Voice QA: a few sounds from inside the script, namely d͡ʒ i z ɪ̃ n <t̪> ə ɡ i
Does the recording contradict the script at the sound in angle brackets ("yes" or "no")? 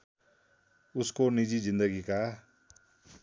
yes